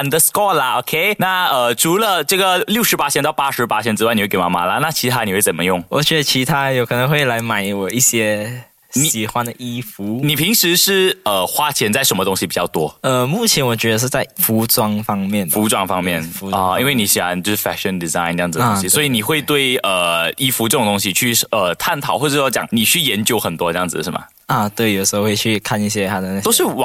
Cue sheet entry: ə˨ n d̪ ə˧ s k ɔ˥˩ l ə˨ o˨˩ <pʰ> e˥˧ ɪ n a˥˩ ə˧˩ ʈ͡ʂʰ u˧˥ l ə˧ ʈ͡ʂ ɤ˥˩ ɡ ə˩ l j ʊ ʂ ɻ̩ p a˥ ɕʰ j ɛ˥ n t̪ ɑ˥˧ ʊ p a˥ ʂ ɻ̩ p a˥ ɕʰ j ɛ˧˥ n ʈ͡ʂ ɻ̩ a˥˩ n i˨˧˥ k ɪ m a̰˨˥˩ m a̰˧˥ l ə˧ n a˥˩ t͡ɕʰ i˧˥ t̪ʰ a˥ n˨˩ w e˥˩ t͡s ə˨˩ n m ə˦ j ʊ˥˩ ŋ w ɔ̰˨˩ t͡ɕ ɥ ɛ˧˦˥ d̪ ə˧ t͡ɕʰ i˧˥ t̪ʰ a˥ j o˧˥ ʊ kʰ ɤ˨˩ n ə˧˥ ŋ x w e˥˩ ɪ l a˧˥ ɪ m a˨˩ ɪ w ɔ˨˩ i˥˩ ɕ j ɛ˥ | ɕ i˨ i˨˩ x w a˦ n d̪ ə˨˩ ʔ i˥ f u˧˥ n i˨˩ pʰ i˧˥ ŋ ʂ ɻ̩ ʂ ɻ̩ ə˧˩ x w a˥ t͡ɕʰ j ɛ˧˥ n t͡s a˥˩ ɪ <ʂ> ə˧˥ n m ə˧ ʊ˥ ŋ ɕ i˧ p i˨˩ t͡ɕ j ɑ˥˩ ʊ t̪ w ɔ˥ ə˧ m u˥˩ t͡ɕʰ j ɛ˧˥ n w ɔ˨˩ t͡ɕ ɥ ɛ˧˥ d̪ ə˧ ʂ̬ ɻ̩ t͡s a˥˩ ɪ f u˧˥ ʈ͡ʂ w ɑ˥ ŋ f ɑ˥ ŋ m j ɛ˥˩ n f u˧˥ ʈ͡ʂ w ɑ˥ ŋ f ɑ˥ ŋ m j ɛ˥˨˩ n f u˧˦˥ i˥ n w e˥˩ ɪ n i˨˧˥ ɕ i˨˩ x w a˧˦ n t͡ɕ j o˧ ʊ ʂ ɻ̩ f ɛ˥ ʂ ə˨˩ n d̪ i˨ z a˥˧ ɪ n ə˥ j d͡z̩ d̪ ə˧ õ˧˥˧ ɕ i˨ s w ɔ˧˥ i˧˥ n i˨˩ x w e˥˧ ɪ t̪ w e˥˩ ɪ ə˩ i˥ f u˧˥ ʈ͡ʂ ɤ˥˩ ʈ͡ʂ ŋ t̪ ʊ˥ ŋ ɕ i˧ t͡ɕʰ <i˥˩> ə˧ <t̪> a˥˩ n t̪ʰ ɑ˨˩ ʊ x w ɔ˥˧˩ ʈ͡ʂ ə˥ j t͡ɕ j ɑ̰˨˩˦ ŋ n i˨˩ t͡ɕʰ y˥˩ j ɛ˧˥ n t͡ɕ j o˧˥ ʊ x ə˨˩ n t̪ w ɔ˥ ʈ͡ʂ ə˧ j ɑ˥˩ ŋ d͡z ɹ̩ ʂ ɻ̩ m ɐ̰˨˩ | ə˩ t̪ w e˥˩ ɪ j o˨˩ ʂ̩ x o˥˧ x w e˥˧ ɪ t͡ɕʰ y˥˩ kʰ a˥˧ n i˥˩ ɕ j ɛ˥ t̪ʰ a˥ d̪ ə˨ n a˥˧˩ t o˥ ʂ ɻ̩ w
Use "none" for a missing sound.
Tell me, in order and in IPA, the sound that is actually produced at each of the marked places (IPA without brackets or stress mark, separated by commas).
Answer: kʰ, ʂ, y˥˩, t̪ʰ